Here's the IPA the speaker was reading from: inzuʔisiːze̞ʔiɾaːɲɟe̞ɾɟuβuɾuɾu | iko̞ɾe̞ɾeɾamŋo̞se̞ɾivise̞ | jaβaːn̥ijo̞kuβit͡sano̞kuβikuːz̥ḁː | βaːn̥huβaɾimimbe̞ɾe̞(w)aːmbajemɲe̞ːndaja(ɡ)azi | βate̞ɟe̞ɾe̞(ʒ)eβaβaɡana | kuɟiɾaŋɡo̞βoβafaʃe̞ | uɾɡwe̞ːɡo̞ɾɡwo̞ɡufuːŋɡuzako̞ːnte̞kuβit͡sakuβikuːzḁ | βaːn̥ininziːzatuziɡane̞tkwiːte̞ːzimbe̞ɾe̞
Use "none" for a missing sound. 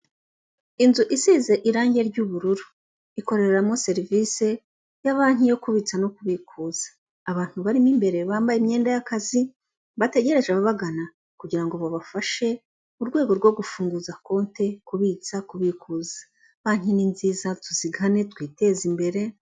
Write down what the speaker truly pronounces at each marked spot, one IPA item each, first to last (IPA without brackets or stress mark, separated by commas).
β, k, ʒ